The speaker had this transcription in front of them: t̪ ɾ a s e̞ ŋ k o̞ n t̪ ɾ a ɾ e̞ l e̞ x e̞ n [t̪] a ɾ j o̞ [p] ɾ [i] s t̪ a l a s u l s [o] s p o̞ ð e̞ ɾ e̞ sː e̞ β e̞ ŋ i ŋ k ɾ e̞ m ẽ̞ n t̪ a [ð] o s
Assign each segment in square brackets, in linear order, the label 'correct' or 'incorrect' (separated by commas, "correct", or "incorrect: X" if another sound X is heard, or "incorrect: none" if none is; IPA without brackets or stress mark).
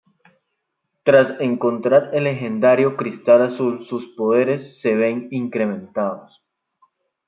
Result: incorrect: d̪, incorrect: k, correct, incorrect: u, correct